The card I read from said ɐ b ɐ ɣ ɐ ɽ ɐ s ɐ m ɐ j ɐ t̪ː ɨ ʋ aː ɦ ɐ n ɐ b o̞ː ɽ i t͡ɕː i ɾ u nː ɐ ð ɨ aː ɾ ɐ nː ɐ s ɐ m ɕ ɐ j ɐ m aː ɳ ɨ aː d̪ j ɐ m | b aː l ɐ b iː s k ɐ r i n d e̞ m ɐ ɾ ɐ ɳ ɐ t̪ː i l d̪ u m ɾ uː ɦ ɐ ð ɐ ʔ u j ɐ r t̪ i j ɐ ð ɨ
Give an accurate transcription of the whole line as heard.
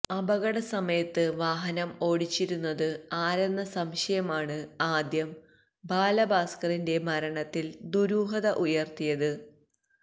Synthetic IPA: ɐ b ɐ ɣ ɐ ɽ ɐ s ɐ m ɐ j ɐ t̪ː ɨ ʋ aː ɦ ɐ n ɐ m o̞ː ɽ i t͡ɕː i ɾ u nː ɐ ð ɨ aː ɾ ɐ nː ɐ s ɐ m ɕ ɐ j ɐ m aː ɳ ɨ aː d̪ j ɐ m | b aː l ɐ b aː s k ɐ r i n d e̞ m ɐ ɾ ɐ ɳ ɐ t̪ː i l d̪ u ɾ uː ɦ ɐ ð ɐ ʔ u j ɐ r t̪ i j ɐ ð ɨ